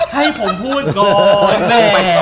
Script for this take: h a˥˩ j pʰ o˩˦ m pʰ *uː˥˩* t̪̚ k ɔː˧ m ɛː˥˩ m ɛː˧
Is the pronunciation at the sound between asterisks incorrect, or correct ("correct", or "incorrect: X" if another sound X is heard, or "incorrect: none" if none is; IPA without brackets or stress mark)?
correct